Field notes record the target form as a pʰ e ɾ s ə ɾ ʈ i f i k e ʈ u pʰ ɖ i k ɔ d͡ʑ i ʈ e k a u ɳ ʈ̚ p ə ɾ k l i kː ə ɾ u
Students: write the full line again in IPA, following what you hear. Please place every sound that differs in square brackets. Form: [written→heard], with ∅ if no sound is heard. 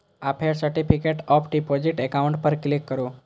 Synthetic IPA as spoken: a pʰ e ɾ s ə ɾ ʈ i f i k e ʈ [u→ɔ] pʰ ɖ i [k→p] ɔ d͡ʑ i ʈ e k a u ɳ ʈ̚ p ə ɾ k l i kː ə ɾ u